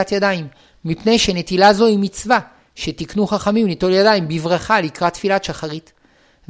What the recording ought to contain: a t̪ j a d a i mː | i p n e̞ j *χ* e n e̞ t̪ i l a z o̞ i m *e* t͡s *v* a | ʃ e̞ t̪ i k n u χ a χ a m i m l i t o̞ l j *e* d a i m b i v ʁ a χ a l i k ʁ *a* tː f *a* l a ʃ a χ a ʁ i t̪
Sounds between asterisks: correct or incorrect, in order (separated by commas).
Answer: incorrect, incorrect, correct, incorrect, correct, incorrect